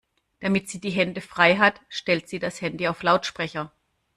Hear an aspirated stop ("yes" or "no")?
no